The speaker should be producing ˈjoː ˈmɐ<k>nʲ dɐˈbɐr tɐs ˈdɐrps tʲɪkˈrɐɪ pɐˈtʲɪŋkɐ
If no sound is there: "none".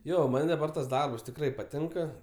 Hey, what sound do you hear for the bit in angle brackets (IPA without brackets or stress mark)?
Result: none